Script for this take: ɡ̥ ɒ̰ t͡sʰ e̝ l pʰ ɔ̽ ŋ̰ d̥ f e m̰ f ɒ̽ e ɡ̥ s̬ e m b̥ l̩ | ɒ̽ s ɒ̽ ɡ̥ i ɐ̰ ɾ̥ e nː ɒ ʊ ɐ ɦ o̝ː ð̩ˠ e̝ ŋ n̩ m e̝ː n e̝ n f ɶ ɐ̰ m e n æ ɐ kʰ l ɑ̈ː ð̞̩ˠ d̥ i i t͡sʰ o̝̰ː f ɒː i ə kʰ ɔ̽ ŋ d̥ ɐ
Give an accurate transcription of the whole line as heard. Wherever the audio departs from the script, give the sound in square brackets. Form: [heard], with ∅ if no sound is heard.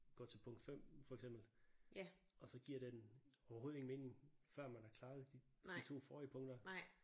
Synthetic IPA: ɡ̥ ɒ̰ t͡sʰ e̝ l pʰ ɔ̽ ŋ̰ d̥ f e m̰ f ɒ̽ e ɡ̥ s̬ e m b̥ l̩ | ɒ̽ s ɒ̽ ɡ̥ i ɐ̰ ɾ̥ e [n] ɒ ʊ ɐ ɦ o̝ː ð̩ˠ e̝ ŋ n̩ m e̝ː n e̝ [ŋ] f ɶ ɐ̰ m [æ] n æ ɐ kʰ l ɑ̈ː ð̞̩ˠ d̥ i i t͡sʰ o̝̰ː f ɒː i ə [pʰ] ɔ̽ ŋ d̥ ɐ